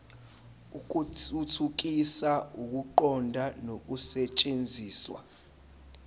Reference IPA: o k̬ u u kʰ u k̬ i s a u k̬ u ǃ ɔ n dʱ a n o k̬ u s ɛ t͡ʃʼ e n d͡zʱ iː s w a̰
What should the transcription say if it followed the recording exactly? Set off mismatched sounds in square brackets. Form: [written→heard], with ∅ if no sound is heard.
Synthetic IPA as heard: [o→u] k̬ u u [kʰ→tʰ] u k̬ i s a u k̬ u ǃ ɔ n dʱ a n o k̬ u s ɛ t͡ʃʼ e n d͡zʱ iː s w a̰